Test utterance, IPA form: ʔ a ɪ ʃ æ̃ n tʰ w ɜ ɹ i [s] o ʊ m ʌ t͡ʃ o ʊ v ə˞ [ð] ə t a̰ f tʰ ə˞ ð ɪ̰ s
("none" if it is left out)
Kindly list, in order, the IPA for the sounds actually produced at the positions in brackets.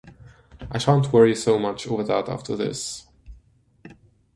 s, ð

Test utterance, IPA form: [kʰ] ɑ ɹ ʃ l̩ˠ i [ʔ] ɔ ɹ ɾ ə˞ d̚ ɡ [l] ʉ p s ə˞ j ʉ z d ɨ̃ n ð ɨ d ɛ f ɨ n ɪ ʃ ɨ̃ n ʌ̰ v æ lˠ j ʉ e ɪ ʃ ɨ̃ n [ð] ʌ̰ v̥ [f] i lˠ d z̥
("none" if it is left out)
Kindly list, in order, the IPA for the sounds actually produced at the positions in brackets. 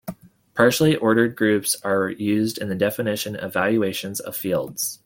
pʰ, ʔ, ɹ, z, f

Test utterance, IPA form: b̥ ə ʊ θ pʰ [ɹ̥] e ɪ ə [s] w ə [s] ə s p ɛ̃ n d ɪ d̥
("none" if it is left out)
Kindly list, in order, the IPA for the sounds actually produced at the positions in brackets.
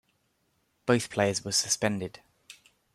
l̥, z, s

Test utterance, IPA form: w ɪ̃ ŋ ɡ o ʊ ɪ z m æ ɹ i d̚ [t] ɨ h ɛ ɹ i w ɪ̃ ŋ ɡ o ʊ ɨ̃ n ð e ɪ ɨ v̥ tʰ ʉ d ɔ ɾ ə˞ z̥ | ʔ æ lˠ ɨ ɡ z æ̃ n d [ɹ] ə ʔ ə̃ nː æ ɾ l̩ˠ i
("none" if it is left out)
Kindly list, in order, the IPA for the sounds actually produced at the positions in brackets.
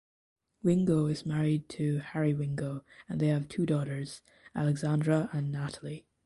tʰ, ɹ

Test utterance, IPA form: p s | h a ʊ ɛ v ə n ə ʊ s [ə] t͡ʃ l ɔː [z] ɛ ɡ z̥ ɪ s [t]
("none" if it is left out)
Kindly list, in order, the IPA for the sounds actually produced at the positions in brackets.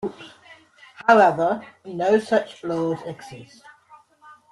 ʌ, z, t

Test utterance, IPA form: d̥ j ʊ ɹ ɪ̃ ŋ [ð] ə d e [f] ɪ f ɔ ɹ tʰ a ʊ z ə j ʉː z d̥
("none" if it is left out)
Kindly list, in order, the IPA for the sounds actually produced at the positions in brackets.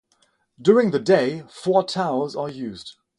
ð, none

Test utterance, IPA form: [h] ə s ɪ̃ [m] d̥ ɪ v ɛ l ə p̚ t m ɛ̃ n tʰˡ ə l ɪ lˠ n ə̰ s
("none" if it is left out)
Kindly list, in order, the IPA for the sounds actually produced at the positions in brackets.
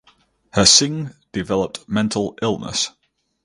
h, ŋ

